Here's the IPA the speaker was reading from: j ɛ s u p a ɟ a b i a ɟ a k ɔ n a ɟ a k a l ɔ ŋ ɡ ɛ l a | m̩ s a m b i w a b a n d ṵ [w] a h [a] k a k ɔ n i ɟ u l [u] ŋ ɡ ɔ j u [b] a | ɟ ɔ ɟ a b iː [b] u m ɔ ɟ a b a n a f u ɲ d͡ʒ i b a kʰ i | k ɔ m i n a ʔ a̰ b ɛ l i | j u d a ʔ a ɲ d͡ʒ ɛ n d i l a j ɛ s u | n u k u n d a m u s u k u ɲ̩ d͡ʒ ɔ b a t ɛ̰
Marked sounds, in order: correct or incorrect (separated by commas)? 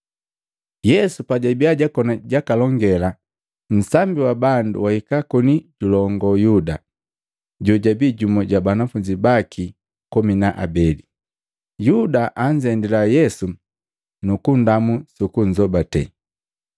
correct, incorrect, incorrect, incorrect, incorrect